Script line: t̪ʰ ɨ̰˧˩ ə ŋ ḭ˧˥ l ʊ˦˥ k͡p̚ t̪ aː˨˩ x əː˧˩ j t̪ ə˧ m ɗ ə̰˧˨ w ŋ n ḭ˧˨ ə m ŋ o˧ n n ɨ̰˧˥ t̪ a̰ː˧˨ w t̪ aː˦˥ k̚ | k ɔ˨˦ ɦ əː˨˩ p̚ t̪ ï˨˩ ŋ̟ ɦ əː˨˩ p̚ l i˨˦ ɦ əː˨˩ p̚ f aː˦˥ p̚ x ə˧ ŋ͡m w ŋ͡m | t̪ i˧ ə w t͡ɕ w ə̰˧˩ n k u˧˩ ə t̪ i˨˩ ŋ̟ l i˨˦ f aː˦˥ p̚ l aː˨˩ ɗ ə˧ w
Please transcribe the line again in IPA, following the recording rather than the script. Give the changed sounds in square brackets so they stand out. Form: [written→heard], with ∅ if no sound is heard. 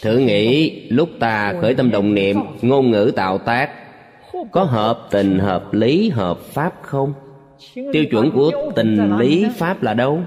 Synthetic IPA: t̪ʰ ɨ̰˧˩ ə ŋ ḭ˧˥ l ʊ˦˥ k͡p̚ t̪ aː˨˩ x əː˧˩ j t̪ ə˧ m ɗ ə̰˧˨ w [ŋ→ŋ͡m] n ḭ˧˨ ə m ŋ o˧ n [n→ŋ] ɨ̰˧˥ t̪ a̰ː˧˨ w t̪ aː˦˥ k̚ | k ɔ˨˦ ɦ əː˨˩ p̚ t̪ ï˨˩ ŋ̟ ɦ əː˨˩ p̚ l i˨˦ ɦ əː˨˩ p̚ f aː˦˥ p̚ x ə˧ [ŋ͡m→∅] w ŋ͡m | t̪ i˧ ə w t͡ɕ w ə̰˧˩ n k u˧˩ ə t̪ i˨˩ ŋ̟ l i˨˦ f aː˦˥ p̚ l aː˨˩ ɗ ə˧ w